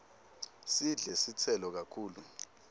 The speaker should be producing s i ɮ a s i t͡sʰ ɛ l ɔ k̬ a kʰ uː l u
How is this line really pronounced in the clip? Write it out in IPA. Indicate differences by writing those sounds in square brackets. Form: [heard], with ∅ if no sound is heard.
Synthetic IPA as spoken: s i ɮ [ɛ] s i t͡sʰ ɛ l ɔ k̬ a kʰ uː l u